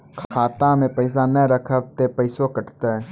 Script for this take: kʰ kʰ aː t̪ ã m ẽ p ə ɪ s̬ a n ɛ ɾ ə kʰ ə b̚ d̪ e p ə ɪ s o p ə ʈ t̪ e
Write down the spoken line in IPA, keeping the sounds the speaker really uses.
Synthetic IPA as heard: kʰ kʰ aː t̪ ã m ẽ p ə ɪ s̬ a n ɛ ɾ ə kʰ ə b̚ t̪ e p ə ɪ s o k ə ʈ t̪ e